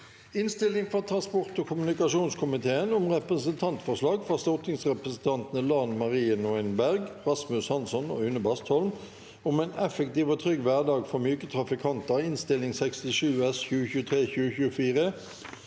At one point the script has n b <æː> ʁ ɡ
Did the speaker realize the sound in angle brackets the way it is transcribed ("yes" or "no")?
no